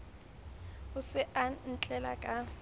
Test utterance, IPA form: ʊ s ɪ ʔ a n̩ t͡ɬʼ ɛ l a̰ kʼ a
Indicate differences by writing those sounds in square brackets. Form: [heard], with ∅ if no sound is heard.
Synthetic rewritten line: ʊ s ɪ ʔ a n̩ t͡ɬʼ ɛ l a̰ kʼ a